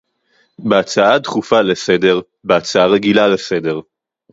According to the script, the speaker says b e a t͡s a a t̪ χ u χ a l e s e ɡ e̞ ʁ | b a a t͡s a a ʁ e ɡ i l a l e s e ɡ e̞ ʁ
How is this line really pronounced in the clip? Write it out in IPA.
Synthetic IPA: b e a t͡s a a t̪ χ u f a l e s e d e̞ ʁ | b e a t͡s a a ʁ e ɡ i l a l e s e d e̞ ʁ